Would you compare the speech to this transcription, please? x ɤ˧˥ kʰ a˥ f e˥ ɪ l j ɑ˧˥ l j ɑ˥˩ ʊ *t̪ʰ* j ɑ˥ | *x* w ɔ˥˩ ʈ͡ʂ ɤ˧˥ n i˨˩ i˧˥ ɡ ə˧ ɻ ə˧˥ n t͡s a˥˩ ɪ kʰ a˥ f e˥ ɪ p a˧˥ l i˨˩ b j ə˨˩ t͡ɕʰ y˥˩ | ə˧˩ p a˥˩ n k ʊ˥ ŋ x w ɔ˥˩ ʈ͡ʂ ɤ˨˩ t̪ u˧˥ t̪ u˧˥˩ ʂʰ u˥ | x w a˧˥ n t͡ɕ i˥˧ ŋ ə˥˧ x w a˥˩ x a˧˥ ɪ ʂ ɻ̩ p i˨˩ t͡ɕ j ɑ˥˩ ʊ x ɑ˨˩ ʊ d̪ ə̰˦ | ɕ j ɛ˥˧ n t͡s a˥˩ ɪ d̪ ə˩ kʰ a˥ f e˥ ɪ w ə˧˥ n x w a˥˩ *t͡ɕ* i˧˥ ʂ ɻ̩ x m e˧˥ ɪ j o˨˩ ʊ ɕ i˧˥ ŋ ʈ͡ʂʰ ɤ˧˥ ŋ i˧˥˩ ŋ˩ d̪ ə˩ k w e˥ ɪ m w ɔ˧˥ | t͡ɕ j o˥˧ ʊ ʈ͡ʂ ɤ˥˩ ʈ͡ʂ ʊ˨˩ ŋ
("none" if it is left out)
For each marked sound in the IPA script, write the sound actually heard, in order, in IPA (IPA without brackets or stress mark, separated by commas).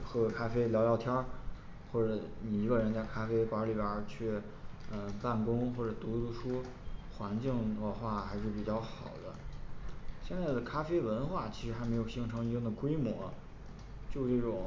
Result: t̪ʰ, x, t͡ɕʰ